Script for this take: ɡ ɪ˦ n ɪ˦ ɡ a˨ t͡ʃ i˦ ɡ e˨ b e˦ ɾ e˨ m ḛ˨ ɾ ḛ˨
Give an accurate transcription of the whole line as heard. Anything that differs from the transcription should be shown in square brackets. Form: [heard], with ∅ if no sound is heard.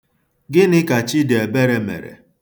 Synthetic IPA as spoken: ɡ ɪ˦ n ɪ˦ [k] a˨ t͡ʃ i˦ [d] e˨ b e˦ ɾ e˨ m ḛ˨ ɾ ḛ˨